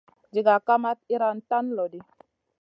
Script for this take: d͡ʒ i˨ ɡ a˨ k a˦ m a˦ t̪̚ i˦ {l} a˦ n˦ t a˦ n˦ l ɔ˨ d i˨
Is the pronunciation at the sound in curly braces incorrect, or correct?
incorrect: ɾ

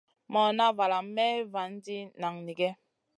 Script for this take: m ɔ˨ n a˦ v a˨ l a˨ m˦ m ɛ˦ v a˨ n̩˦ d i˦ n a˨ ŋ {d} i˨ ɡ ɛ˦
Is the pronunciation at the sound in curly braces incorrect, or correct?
incorrect: n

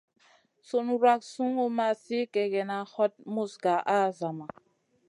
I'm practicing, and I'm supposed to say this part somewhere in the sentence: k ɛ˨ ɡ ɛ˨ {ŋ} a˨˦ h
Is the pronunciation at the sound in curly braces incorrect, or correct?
incorrect: n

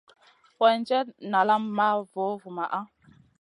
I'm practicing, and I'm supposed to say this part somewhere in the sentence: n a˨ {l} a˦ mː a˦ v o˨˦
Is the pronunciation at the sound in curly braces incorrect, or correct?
correct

